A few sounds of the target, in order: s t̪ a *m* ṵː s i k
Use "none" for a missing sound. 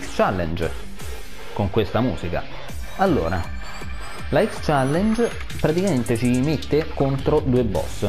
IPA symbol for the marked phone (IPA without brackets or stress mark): m